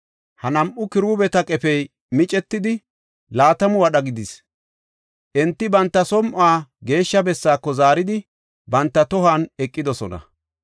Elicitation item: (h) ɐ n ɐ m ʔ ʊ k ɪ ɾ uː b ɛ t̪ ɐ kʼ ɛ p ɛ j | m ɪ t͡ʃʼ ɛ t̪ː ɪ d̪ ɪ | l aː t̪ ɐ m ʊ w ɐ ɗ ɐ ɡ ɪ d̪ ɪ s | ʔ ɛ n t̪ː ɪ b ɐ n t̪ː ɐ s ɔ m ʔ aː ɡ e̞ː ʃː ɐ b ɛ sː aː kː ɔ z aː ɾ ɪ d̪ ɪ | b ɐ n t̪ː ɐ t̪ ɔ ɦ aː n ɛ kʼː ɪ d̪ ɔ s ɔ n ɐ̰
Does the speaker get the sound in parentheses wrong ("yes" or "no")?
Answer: no